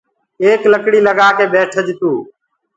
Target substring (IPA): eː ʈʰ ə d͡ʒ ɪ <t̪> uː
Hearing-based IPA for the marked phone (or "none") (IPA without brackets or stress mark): t̪